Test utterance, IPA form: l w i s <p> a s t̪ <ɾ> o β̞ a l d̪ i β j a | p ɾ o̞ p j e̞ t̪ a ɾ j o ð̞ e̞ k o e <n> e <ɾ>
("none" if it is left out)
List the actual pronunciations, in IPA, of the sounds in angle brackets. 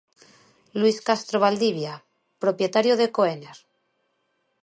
k, ɾ, n, ɾ

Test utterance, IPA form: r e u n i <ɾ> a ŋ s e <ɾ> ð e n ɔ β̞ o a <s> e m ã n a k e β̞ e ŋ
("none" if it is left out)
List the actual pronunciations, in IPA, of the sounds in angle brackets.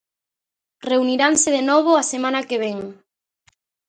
ɾ, none, s

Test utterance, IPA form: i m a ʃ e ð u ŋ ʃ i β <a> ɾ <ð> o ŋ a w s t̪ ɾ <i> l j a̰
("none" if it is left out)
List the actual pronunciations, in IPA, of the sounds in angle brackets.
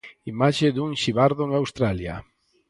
a, ð, a

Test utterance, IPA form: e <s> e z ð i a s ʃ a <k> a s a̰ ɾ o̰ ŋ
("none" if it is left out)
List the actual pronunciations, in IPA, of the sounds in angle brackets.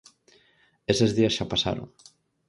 s, p

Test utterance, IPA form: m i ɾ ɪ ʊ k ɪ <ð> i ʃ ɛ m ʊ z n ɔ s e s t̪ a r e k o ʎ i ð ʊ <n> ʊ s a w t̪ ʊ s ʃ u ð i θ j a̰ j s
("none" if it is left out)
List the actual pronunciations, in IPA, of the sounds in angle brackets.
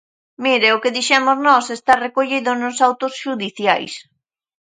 ð, n

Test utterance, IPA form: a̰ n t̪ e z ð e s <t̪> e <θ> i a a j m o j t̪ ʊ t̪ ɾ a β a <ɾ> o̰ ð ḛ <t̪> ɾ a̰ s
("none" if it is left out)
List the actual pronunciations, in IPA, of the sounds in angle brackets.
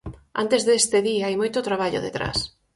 t̪, ð, ʎ, t̪

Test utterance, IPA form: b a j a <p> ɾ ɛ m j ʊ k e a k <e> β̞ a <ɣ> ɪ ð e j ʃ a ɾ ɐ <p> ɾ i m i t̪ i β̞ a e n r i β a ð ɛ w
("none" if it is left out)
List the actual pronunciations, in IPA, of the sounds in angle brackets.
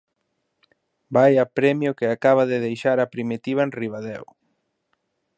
p, a, ð, p

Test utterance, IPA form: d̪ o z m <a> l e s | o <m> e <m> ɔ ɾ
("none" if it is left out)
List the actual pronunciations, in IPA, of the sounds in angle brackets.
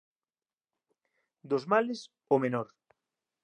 a, m, n

